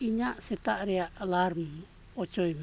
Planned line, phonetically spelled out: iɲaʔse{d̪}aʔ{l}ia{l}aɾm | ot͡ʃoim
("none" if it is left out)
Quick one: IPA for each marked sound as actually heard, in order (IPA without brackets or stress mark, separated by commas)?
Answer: t̪, ɾ, l